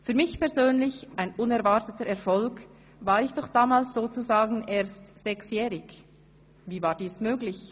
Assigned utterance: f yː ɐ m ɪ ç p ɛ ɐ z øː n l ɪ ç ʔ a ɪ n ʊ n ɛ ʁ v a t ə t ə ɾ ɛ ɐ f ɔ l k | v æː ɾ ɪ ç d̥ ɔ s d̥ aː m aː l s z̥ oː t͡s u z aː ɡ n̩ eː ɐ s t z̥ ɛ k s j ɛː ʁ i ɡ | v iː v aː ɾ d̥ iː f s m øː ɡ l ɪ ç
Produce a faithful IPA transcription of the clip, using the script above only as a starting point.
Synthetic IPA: f yː ɐ m ɪ ç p ɛ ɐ z øː n l ɪ ç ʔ a ɪ n ʊ n ɛ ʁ v a t ə t ə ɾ ɛ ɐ f ɔ l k | v aː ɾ ɪ ç d̥ ɔ χ d̥ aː m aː l s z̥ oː t͡s u z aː ɡ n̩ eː ɐ s t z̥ ɛ k s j ɛː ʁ ɪ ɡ | v iː v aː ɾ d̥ iː s m øː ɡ l ɪ ç